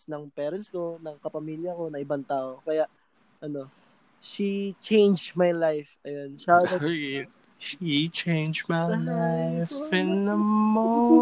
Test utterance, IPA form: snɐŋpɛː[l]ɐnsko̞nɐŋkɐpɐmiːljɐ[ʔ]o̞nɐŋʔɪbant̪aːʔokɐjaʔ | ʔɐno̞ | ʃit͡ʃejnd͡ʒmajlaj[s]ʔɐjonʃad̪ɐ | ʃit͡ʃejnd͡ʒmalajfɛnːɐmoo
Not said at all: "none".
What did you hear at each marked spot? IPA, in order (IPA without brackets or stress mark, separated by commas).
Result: ɾ, k, f